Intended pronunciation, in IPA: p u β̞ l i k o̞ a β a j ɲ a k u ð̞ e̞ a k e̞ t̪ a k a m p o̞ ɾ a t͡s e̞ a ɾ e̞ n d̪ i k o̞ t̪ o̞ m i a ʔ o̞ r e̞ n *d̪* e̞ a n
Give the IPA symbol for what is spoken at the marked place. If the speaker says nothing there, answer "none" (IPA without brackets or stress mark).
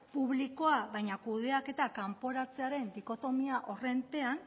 t̪